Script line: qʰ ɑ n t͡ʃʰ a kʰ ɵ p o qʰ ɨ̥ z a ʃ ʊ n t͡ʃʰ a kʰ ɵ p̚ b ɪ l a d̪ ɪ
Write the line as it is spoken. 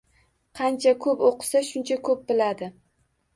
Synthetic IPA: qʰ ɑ n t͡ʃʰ a kʰ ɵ p o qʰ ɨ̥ s a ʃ ʊ n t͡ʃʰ a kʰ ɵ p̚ b ɪ l a d̪ ɪ

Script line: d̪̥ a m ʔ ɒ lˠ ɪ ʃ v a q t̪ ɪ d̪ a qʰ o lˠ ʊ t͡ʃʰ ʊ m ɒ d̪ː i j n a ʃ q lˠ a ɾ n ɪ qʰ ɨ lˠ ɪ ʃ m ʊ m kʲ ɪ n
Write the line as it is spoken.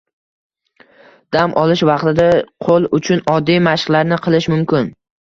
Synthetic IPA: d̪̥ a m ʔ ɒ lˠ ɪ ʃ v ɑ q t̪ ɪ d̪ a qʰ o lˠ ʊ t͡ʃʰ ʊ n ɒ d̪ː i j m a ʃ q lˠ a ɾ n ɪ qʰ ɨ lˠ ɪ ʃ m ʊ m kʲ ɪ n

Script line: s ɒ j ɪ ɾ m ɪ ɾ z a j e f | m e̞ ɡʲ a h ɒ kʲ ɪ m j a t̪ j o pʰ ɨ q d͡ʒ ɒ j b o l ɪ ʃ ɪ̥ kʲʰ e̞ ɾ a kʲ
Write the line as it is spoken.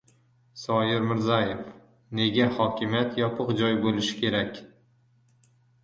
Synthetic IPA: s ɒ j ɪ ɾ m ɪ ɾ z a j e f | n e̞ ɡʲ a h ɒ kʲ ɪ m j a t̪ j ɒ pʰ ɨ q d͡ʒ ɒ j b o l ɪ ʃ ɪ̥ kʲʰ e̞ ɾ a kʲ

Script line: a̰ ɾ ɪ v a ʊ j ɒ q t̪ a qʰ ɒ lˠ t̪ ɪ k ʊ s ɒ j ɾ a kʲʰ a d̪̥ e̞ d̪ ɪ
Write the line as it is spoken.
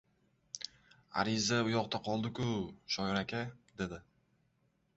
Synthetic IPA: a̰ ɾ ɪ z a ʊ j ɒ q t̪ a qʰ ɒ lˠ d̪ ɪ k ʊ ʃ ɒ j ɾ a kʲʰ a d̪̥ e̞ d̪ ɪ

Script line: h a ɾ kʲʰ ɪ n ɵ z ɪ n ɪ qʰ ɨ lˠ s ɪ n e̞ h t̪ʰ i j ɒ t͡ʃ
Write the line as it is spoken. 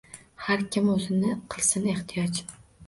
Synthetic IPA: h a ɾ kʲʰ ɪ m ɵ z ɪ n ɪ qʰ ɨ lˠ s ɪ n e̞ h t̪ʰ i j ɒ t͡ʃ

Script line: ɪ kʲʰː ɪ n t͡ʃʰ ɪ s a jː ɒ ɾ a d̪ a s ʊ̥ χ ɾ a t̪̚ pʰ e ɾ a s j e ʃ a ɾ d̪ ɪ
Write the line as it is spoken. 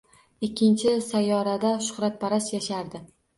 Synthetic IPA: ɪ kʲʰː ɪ n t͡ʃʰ ɪ s a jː ɒ ɾ a d̪ a ʃ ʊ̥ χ ɾ a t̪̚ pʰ a ɾ a s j a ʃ a ɾ d̪ ɪ

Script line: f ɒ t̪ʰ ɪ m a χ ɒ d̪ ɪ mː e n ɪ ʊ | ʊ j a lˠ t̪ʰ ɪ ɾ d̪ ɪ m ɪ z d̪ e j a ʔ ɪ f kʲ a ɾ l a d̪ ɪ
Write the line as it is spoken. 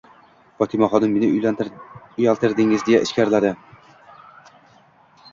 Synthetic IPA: f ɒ t̪ʰ ɪ m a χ ɒ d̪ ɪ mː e n ɪ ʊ | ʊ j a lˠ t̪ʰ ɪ ɾ d̪ ɪ ŋ ɪ z d̪ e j a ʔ ɪ ʃ kʲ a ɾ l a d̪ ɪ

